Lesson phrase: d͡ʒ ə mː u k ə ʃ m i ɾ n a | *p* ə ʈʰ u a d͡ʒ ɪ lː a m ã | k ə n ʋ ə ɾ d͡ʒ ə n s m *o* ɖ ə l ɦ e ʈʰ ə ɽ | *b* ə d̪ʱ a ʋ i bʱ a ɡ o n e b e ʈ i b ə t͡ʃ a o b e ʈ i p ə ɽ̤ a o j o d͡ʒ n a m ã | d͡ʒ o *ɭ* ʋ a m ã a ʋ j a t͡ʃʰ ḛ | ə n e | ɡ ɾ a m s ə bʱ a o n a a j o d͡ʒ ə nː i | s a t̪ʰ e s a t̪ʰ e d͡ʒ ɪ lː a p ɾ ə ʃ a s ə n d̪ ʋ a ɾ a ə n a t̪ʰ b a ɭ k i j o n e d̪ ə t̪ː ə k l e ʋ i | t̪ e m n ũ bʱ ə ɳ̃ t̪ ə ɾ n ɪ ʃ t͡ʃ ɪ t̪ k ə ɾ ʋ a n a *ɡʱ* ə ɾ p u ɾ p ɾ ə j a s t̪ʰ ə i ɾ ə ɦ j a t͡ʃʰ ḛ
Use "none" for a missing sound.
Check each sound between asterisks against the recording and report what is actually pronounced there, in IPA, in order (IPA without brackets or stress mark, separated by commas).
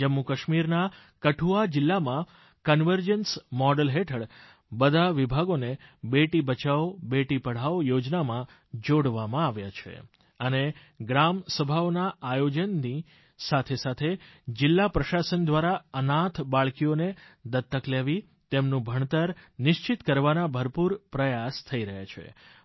k, ɔ, b, ɽ, bʱ